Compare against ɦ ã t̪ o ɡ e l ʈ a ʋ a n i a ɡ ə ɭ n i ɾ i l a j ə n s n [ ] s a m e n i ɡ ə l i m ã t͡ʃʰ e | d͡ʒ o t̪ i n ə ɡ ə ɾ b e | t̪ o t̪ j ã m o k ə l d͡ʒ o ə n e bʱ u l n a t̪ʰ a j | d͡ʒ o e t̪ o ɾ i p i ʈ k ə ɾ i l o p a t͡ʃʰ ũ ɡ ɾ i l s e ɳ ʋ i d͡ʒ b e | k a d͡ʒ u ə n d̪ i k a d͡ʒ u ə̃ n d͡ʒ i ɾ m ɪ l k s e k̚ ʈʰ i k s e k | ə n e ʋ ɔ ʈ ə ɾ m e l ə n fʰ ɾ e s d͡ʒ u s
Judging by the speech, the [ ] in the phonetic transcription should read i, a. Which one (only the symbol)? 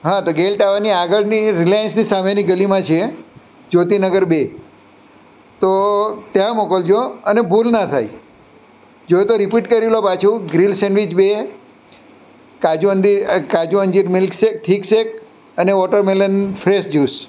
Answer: i